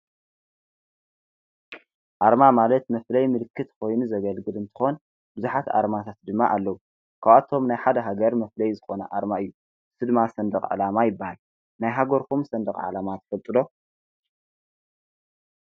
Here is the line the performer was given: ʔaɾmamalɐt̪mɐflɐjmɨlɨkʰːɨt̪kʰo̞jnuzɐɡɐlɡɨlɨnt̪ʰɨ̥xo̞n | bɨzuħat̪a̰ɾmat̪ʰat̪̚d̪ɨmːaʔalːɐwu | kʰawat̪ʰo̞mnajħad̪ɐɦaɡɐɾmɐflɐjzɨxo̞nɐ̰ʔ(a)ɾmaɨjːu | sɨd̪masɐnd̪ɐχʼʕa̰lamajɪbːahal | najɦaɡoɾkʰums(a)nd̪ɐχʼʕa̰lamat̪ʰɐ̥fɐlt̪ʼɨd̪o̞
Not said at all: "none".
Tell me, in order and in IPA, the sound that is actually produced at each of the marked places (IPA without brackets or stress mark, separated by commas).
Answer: a, ɐ